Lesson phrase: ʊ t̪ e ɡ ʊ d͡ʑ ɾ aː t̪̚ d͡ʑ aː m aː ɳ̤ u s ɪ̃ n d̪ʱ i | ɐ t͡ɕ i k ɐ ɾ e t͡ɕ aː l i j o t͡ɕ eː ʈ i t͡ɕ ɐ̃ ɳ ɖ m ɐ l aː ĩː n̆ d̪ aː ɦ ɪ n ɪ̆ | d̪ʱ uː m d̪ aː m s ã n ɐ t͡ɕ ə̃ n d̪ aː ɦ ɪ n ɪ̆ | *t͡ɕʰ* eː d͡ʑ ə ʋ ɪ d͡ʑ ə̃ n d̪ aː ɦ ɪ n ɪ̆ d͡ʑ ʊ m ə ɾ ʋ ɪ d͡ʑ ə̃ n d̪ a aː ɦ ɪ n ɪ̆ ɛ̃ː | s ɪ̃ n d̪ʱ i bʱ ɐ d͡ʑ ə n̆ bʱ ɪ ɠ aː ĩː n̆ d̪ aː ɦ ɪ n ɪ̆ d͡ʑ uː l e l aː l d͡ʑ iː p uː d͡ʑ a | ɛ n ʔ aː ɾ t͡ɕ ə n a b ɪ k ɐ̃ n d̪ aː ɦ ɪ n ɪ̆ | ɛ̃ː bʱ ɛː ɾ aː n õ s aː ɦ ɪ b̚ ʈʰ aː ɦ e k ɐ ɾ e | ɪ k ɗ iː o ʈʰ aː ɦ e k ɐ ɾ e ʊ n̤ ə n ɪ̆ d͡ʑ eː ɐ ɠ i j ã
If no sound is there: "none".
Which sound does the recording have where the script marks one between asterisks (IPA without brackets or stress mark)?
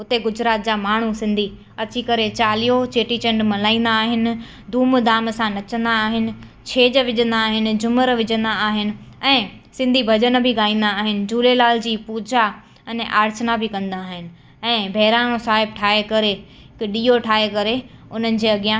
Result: t͡ɕʰ